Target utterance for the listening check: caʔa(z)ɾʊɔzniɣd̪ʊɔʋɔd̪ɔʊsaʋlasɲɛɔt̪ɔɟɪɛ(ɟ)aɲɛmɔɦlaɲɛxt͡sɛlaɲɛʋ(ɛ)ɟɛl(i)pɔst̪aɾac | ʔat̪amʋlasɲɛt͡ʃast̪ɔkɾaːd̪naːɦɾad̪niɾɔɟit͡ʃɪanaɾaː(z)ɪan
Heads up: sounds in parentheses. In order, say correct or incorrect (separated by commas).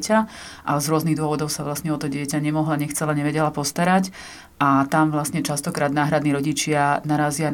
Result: correct, incorrect, correct, incorrect, correct